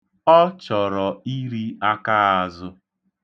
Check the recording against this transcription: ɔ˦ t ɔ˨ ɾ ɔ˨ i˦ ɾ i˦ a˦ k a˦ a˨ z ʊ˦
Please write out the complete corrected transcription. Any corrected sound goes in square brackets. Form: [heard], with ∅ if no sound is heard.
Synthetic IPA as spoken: ɔ˦ [t͡ʃ] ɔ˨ ɾ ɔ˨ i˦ ɾ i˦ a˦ k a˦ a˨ z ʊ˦